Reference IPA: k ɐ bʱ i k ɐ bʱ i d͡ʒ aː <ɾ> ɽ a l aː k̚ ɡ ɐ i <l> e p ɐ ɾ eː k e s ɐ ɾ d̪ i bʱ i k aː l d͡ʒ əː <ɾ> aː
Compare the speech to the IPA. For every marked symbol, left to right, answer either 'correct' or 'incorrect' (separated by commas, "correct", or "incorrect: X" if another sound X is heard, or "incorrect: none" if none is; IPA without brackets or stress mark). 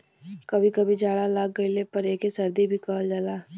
incorrect: none, correct, incorrect: l